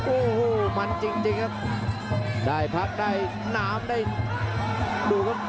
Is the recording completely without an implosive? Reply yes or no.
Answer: no